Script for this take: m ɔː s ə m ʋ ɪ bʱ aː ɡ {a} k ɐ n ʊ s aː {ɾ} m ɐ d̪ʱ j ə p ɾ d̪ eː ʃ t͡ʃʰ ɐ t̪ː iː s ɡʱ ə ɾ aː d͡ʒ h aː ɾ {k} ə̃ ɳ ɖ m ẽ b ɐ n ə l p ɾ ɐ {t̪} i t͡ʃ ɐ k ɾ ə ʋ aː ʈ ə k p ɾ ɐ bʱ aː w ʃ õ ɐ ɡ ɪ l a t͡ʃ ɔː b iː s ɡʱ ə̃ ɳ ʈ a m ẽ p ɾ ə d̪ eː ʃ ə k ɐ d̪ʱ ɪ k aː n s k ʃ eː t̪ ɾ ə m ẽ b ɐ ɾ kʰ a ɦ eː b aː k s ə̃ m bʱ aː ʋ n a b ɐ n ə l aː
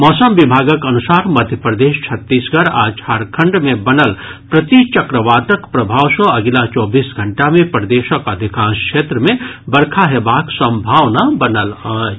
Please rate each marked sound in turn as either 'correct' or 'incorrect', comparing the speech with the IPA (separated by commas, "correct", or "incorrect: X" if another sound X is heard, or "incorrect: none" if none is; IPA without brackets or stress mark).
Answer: incorrect: ə, correct, incorrect: kʰ, correct